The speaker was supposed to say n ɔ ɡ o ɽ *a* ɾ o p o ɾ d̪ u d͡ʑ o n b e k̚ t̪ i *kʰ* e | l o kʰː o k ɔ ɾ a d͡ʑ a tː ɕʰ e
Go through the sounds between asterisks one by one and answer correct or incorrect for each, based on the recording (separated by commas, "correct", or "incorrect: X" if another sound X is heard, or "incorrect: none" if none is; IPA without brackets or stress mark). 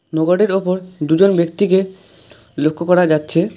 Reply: incorrect: e, incorrect: k